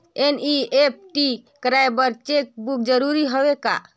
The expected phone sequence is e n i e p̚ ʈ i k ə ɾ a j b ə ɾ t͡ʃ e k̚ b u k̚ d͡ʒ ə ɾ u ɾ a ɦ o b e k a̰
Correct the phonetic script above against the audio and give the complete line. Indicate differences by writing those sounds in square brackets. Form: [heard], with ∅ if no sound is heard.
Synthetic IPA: e n i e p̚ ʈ i k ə ɾ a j b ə ɾ t͡ʃ e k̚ b u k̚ d͡ʒ ə ɾ u ɾ [i] ɦ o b e k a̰